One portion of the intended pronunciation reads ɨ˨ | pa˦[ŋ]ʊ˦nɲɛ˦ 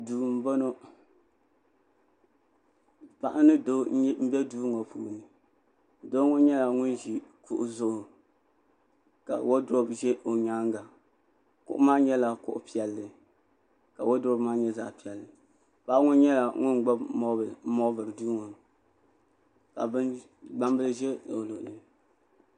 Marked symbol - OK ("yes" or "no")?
yes